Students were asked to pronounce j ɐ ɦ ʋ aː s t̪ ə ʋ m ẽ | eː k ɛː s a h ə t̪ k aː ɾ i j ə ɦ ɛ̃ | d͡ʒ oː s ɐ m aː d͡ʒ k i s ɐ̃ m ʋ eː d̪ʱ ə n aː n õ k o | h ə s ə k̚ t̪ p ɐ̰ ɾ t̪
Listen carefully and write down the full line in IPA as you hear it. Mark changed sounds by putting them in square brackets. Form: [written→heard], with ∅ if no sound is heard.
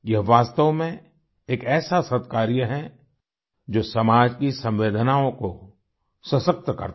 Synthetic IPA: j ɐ ɦ ʋ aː s t̪ ə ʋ m ẽ | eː k ɛː s a [h→s] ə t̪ k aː ɾ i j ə ɦ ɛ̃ | d͡ʒ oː s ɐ m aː d͡ʒ k i s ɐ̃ m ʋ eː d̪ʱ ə n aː [n→∅] õ k o | [h→s] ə s ə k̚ t̪ [p→k] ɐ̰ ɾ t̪